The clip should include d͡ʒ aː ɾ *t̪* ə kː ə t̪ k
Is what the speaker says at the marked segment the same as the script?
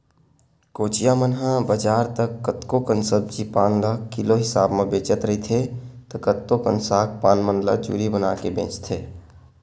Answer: yes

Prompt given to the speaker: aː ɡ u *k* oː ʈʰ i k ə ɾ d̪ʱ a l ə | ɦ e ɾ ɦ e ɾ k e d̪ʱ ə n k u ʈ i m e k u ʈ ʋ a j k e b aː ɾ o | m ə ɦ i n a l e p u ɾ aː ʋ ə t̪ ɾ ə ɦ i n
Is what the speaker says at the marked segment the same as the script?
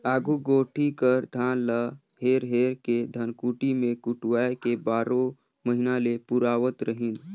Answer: no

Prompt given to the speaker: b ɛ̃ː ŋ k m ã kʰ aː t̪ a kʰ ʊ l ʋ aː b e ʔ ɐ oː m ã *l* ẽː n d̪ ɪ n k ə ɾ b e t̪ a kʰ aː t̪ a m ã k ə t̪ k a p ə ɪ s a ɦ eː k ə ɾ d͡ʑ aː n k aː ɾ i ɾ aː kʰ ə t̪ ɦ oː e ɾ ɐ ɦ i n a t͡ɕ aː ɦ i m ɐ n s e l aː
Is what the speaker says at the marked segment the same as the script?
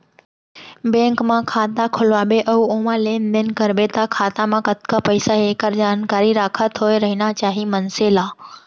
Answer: yes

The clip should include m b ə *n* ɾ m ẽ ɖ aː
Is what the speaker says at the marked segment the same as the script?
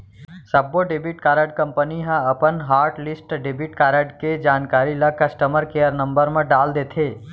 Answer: no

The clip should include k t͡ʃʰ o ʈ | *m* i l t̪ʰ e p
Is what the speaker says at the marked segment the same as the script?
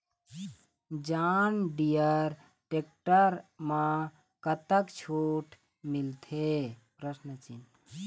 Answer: yes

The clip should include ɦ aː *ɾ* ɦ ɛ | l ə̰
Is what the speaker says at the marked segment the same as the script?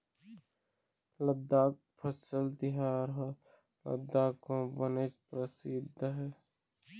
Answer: yes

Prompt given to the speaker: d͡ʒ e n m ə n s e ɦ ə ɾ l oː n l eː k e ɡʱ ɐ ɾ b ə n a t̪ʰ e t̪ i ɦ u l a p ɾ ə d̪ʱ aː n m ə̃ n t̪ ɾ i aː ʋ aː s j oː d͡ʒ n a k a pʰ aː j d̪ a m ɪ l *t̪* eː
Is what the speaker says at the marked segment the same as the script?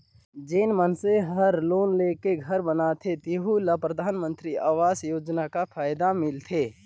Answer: no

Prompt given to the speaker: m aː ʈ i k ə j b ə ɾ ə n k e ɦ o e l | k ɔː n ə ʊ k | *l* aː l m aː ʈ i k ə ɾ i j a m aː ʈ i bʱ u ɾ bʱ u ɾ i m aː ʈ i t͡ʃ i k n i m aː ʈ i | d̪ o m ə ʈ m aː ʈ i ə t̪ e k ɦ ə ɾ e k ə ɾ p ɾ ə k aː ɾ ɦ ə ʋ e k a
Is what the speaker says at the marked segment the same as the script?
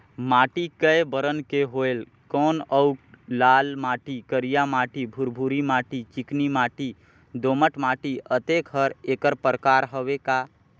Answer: yes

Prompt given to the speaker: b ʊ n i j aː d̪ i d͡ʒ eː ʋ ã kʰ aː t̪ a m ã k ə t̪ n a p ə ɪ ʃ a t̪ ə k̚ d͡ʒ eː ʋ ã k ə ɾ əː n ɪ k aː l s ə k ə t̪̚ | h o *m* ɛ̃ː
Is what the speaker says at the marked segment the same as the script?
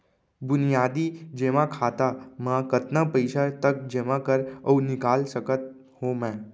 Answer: yes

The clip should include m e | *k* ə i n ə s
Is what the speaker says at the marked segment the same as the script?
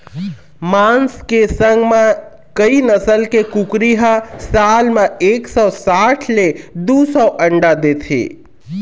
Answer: yes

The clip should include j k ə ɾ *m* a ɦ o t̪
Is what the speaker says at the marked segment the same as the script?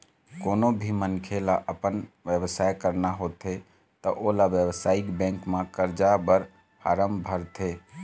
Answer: no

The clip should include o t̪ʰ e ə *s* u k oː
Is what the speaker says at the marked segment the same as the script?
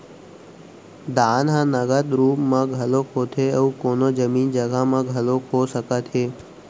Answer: no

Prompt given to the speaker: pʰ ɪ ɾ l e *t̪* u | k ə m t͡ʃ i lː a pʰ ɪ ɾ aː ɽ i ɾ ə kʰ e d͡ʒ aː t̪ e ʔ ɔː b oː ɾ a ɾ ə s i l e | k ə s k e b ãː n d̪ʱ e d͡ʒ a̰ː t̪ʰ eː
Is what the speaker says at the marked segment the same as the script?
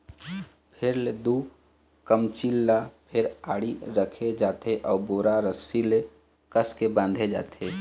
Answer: no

